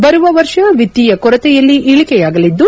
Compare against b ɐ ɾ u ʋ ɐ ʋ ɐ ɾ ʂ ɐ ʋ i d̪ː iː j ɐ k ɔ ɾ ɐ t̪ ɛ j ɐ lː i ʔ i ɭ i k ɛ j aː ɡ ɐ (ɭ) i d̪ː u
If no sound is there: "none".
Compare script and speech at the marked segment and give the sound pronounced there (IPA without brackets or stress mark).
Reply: l